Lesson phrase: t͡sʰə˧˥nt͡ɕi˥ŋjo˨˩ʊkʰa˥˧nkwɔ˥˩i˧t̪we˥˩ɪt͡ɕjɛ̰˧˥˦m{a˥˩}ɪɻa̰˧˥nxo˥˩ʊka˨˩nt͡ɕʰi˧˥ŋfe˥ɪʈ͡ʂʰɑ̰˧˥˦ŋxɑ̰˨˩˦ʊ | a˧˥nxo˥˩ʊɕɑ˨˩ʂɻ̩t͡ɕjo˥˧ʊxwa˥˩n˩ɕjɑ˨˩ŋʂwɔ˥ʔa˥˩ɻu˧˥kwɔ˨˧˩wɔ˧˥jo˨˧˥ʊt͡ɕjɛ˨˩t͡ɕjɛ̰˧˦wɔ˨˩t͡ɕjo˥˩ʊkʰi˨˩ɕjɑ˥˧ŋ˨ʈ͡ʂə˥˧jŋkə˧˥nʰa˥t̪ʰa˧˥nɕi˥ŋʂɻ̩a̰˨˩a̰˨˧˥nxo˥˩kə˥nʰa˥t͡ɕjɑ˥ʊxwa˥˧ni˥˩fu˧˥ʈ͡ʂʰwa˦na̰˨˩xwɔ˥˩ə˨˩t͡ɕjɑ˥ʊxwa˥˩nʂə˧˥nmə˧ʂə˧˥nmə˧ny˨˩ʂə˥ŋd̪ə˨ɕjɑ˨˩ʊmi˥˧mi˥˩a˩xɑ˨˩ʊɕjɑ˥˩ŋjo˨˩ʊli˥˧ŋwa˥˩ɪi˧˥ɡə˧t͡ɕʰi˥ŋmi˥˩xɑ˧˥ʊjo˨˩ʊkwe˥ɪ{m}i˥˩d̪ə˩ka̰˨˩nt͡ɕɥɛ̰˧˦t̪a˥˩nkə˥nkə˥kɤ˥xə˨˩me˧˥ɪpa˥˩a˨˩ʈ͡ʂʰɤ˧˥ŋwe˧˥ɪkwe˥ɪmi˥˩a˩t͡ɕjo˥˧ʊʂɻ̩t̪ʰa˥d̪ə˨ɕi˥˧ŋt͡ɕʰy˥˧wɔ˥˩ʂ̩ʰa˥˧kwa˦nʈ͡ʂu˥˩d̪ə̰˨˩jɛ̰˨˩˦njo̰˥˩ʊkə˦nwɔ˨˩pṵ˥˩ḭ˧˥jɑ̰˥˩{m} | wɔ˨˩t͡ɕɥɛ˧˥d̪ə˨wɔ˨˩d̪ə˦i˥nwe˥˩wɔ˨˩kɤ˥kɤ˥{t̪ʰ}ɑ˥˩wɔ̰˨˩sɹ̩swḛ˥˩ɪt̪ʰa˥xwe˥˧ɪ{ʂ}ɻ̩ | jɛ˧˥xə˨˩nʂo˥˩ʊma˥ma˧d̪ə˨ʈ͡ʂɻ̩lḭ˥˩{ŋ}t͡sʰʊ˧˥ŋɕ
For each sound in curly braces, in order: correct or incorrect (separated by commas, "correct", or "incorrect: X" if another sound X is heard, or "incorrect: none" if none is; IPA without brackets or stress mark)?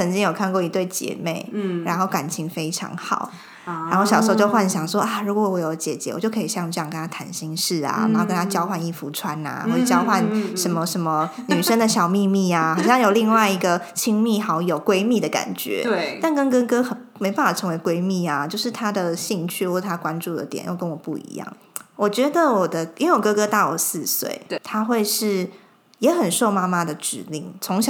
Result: incorrect: e˥˩, correct, incorrect: ŋ, incorrect: t̪, correct, correct